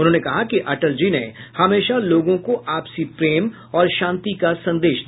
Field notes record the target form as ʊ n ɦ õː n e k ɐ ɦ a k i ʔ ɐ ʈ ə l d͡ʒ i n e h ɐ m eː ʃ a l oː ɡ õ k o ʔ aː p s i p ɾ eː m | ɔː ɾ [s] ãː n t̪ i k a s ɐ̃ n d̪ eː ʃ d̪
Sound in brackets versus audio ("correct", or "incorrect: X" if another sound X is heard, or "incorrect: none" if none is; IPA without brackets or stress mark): incorrect: ʃ